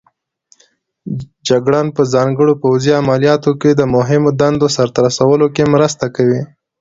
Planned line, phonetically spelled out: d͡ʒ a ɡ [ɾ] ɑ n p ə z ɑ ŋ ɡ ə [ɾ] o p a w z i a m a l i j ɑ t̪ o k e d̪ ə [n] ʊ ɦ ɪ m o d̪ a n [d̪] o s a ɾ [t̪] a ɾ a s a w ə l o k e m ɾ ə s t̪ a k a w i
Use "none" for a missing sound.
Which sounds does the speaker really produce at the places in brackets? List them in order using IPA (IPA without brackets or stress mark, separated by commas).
ɽ, ɽ, m, d̪, t̪